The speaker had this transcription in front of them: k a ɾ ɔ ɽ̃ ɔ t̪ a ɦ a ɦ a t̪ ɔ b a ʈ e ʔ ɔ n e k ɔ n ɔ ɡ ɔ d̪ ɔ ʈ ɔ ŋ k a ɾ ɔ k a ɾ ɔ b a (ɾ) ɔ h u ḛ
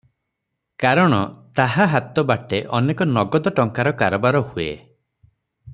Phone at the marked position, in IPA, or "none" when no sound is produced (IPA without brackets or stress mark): ɾ